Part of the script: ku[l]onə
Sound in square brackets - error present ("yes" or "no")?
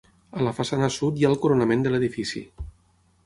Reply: yes